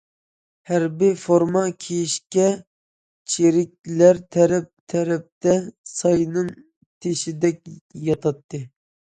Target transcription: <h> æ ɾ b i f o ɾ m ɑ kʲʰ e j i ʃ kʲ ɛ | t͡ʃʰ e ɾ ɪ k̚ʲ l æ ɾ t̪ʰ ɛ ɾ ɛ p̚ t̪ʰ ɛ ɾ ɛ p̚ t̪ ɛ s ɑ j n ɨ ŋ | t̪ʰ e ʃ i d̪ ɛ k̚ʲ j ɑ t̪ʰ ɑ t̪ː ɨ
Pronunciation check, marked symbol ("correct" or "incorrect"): correct